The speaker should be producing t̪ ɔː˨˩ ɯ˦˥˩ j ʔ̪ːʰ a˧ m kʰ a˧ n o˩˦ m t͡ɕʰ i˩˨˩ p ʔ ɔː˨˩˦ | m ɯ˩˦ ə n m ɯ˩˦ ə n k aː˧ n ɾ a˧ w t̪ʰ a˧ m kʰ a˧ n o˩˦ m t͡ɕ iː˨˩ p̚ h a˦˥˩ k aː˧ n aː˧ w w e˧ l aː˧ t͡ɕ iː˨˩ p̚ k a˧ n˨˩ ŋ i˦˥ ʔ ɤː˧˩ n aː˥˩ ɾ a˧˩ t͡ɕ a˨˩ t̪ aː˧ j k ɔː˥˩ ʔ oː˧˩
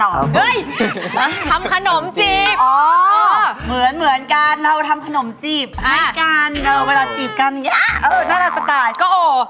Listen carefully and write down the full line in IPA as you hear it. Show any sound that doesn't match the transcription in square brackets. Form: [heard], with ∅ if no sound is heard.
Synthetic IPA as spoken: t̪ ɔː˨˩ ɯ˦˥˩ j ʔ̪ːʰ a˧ m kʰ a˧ n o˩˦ m [t͡ɕ] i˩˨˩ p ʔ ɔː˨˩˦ | m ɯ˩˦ ə n m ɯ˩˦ ə n k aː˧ n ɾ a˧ w t̪ʰ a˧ m kʰ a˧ n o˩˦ m t͡ɕ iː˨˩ p̚ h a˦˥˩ k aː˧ n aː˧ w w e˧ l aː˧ t͡ɕ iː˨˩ p̚ k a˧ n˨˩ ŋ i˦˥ ʔ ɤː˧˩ n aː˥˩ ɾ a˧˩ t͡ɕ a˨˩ t̪ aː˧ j k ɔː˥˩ ʔ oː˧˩